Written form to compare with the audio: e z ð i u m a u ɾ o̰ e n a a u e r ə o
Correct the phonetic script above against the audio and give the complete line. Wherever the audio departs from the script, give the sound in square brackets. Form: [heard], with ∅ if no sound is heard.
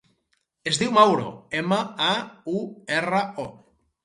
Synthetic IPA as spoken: e z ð i [w] m a [w] ɾ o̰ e [m] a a u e r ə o